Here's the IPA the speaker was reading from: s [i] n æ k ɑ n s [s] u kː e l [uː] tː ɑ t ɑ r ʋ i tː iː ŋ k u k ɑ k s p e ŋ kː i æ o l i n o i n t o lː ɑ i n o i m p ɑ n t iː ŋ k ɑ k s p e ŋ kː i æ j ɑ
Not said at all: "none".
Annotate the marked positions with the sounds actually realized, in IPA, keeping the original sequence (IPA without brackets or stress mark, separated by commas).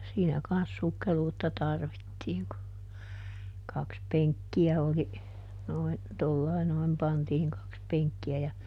iː, s, uː